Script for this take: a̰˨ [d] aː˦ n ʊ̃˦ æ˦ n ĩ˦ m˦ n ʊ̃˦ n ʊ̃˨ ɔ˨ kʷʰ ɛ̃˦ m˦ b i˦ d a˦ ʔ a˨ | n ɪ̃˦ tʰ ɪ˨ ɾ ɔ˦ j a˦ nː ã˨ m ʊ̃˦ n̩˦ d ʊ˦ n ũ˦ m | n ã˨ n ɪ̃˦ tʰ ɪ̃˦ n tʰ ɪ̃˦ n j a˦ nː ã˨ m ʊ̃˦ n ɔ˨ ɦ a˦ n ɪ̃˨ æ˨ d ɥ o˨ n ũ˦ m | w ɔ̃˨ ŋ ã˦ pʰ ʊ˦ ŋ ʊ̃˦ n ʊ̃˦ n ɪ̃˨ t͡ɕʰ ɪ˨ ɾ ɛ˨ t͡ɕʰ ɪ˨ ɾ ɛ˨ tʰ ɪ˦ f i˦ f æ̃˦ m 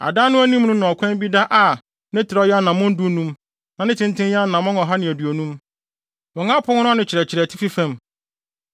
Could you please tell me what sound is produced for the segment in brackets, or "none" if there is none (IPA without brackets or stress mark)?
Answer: d